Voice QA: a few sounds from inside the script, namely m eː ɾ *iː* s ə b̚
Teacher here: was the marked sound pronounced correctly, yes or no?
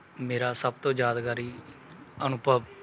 no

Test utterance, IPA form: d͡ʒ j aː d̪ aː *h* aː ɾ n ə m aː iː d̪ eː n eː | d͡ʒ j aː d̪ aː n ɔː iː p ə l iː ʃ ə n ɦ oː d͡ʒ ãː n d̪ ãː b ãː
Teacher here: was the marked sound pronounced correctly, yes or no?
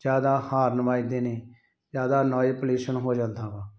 yes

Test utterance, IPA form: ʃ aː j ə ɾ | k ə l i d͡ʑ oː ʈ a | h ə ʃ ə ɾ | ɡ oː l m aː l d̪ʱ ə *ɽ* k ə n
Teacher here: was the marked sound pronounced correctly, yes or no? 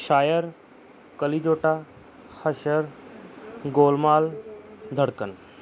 yes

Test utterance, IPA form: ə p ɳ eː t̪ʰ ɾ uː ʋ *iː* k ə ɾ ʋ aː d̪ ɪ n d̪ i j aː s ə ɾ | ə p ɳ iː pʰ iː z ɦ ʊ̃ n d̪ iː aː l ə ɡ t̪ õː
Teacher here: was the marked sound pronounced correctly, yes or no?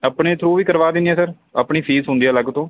yes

